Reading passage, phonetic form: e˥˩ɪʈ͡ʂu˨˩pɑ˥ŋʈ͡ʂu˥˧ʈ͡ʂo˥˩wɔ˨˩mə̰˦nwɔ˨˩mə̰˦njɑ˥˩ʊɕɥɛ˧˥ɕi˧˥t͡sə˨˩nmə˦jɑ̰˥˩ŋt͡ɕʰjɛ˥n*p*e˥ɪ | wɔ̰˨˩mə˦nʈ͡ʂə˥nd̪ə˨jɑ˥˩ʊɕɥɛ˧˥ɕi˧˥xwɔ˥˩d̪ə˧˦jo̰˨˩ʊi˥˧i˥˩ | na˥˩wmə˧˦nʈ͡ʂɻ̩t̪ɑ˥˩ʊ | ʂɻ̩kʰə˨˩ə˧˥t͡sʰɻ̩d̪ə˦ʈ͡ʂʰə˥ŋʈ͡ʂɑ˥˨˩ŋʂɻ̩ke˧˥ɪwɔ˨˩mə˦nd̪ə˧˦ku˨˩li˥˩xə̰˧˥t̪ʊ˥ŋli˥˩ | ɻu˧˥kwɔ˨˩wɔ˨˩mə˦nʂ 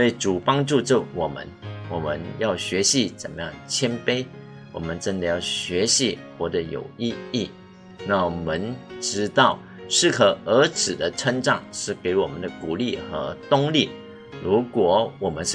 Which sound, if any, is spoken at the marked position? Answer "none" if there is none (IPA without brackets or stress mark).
p